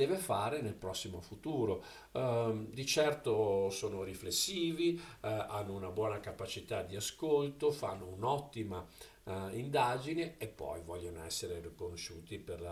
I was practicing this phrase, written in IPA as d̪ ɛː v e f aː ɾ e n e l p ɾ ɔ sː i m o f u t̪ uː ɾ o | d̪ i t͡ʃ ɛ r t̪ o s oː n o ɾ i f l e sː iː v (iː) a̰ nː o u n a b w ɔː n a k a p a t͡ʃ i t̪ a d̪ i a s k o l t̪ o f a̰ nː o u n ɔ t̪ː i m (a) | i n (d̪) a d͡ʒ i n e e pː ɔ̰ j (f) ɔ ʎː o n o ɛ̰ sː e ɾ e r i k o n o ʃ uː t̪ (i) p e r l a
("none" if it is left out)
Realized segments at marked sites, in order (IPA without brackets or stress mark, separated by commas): i, a, d̪, v, i